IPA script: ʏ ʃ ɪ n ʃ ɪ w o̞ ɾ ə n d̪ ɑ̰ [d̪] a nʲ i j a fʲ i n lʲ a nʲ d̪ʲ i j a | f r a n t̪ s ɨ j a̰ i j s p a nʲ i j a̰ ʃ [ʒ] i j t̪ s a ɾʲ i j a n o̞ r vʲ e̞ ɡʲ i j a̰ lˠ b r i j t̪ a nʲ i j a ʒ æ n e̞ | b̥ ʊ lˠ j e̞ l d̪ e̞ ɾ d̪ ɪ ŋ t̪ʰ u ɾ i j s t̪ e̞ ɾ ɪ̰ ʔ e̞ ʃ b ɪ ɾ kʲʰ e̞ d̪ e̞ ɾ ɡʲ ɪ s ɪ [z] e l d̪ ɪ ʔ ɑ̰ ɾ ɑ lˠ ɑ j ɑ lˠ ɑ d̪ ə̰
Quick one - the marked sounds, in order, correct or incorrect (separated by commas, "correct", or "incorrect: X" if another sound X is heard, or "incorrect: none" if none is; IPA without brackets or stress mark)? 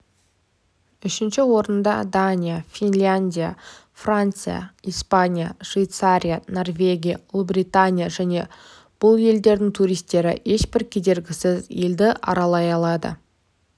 correct, incorrect: v, correct